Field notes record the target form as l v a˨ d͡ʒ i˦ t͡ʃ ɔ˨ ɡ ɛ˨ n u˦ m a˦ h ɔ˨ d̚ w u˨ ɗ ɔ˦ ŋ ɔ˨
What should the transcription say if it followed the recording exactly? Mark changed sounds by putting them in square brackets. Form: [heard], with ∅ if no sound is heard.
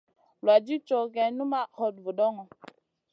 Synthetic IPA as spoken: l [w] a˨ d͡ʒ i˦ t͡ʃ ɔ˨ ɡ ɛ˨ n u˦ m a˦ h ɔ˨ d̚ [v] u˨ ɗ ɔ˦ ŋ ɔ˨